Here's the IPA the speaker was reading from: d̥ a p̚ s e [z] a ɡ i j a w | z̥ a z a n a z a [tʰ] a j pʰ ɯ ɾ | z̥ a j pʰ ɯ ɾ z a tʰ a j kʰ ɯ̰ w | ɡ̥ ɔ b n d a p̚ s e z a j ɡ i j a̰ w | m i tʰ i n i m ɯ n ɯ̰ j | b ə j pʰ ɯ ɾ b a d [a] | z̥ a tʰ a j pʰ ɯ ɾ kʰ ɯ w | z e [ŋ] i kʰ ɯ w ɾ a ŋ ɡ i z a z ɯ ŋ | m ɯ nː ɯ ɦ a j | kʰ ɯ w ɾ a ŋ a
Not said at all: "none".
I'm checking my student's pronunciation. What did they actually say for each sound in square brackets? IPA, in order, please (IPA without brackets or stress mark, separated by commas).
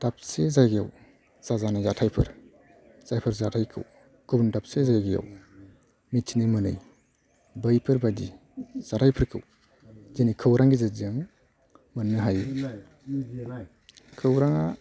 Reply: z, tʰ, i, n